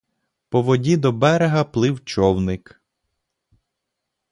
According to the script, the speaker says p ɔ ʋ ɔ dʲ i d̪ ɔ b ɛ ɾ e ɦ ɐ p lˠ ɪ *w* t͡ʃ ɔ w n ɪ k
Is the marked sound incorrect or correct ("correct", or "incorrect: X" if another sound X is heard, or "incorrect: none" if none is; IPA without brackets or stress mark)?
correct